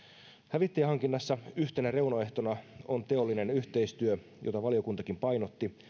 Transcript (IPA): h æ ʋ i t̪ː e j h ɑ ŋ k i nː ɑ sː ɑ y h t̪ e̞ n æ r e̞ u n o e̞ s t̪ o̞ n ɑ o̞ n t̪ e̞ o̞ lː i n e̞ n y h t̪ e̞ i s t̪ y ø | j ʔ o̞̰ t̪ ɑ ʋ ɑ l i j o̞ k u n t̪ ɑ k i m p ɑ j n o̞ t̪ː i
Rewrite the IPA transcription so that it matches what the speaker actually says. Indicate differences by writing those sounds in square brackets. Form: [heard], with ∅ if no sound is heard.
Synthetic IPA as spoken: h æ ʋ i t̪ː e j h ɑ ŋ k i nː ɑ sː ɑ y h t̪ e̞ n æ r e̞ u n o e̞ [h] t̪ o̞ n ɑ o̞ n t̪ e̞ o̞ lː i n e̞ n y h t̪ e̞ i s t̪ y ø | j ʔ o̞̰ t̪ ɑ ʋ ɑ l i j o̞ k u n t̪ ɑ k i m p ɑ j n o̞ t̪ː i

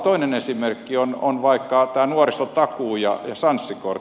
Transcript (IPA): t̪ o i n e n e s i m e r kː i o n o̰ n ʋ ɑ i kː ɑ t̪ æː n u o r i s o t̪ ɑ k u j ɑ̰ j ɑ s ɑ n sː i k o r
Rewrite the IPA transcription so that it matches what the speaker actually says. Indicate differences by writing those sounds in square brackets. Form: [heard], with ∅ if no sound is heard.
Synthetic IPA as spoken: t̪ o i n e n e s i m e r kː i o n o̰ n ʋ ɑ i kː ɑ t̪ æː n u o r i s o t̪ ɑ k [uː] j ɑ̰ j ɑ s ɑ n sː i k o r

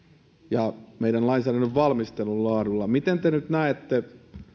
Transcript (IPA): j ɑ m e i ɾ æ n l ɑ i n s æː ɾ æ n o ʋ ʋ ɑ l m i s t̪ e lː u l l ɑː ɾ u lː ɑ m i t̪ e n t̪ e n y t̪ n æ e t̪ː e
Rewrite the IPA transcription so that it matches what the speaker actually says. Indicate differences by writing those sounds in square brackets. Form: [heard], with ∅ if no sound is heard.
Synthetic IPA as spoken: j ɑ m e i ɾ æ n l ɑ i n s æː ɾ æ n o ʋ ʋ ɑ l m i s t̪ e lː u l l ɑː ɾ u lː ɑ m i t̪ e n t̪ e n y t̪ n æ e t̪ː e

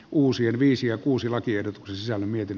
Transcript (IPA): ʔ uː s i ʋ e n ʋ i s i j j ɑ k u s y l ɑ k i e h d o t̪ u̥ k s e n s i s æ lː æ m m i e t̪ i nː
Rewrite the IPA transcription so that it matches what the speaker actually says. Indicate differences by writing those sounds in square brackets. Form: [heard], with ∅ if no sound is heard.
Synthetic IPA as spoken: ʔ uː s i [∅] e n ʋ [iː] s i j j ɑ k [uː] s [i] l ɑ k i e h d o t̪ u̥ k s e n s i s æ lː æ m m i e t̪ i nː

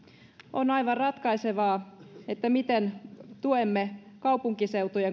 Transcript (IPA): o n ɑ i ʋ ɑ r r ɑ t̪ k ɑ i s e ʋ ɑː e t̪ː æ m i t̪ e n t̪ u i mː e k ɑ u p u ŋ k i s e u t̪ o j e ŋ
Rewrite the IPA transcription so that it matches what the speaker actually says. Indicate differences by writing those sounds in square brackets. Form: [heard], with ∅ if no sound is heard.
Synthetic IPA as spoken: o n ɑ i ʋ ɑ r r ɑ t̪ k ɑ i s e ʋ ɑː e t̪ː æ m i t̪ e n t̪ u [e] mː e k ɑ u p u ŋ k i s e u t̪ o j e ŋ

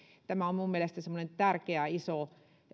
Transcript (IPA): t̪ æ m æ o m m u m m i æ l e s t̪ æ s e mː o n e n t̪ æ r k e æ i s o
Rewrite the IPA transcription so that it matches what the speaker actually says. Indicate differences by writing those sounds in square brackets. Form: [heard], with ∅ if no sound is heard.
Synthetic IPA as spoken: t̪ æ m æ o m m u m m i [e] l e s t̪ æ s e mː o n e n t̪ æ r k e æ i s o

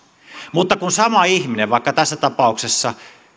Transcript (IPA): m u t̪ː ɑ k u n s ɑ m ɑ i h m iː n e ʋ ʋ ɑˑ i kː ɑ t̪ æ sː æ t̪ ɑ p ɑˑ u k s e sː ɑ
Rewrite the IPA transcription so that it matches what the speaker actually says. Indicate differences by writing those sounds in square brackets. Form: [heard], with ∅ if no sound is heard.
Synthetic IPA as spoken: m u t̪ː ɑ k u n s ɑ m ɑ i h m [i] n e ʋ ʋ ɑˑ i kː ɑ t̪ æ sː æ t̪ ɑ p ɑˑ u k s e sː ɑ

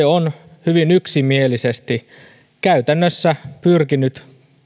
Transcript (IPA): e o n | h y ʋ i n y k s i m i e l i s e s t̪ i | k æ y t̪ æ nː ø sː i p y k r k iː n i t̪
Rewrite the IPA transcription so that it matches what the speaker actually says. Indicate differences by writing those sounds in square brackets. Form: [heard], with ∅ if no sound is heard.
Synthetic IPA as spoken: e o n | h y ʋ i n y k s i m i e l i s e s t̪ i | k æ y t̪ æ nː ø sː [æ] p y [∅] r k [i] n [y] t̪

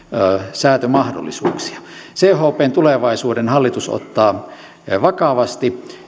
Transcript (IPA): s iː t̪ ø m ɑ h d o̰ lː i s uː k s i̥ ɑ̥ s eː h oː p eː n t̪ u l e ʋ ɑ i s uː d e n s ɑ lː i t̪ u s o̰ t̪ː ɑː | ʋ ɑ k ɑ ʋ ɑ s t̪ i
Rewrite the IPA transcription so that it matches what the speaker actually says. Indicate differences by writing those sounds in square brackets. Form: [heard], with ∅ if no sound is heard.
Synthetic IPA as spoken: s [æː] t̪ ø m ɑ h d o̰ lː i s uː k s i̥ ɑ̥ s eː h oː p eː n t̪ u l e ʋ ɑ i s uː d e n [h] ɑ lː i t̪ u s o̰ t̪ː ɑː | ʋ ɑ k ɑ ʋ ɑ s t̪ i

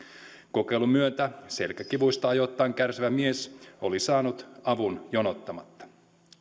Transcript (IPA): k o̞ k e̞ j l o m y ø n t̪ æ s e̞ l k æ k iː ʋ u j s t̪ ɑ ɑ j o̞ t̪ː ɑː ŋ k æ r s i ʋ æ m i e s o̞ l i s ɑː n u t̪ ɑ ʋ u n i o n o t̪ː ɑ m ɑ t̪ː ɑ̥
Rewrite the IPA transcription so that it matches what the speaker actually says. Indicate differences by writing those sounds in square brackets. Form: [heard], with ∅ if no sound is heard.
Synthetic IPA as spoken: k o̞ k e̞ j l [u] m y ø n t̪ æ s e̞ l k æ k [i] ʋ u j s t̪ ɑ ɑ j o̞ t̪ː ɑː ŋ k æ r s i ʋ æ m i e s o̞ l i s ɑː n u t̪ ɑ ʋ u n [j] o n o t̪ː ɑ m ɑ t̪ː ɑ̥

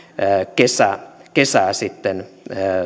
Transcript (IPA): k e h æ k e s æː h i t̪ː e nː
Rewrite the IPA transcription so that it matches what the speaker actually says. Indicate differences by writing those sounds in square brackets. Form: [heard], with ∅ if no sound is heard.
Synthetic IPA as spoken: k e [s] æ k e s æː [s] i t̪ː e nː

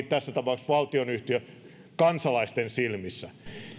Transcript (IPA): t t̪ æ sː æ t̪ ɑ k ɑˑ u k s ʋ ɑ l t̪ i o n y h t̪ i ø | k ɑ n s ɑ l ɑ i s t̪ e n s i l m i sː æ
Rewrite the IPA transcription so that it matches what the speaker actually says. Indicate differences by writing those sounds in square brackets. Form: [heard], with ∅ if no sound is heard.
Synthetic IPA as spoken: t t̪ æ sː æ t̪ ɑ [p] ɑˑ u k s ʋ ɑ l t̪ i o n y h t̪ i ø | k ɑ n s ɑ l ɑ i s t̪ e n s i l m i sː æ

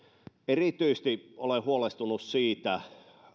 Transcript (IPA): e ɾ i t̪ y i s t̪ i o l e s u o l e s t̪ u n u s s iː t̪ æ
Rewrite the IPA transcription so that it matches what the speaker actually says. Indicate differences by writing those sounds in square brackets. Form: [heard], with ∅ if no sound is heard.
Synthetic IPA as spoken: e [r] i t̪ y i s t̪ i o l e [h] u o l e s t̪ u n u s s iː t̪ æ

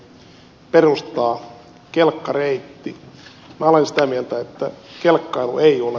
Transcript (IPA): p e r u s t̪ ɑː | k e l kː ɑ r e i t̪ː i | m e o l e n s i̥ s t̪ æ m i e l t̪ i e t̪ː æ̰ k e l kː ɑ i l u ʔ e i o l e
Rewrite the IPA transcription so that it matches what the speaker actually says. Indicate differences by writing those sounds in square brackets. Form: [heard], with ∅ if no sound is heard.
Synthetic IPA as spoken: p e r u s t̪ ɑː | k e l kː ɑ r e i t̪ː i | m [æ] o l e n s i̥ [∅] t̪ æ m i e l t̪ [æ] e t̪ː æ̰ k e l kː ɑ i l u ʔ e i o l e

